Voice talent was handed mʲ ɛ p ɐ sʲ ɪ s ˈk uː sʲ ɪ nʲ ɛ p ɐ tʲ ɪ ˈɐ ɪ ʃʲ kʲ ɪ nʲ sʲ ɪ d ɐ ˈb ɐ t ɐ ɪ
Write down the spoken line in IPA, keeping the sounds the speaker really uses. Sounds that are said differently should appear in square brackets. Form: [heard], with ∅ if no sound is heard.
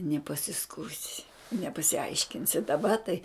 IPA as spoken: [nʲ] ɛ p ɐ sʲ ɪ s ˈk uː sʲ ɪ nʲ ɛ p ɐ [sʲ] ɪ ˈɐ ɪ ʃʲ kʲ ɪ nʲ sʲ ɪ d ɐ ˈb ɐ t ɐ ɪ